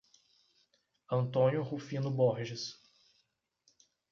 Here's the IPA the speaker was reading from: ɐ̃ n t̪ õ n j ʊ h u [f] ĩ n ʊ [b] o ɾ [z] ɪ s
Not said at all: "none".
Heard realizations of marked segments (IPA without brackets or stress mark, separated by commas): f, b, ʒ